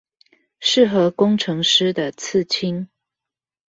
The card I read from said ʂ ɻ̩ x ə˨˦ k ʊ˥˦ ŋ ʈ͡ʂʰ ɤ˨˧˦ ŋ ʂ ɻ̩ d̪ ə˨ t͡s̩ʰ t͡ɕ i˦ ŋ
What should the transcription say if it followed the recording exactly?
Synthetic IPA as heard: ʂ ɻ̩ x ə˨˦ k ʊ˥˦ ŋ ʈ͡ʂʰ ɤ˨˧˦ ŋ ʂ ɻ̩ d̪ ə˨ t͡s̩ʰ t͡ɕʰ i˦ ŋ